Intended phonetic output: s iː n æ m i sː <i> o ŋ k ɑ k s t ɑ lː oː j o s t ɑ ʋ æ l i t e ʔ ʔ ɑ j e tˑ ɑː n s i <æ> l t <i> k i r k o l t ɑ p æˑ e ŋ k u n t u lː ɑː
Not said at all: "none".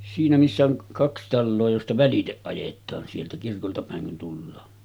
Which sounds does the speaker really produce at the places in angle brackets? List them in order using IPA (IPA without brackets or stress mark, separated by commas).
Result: æ, e, æ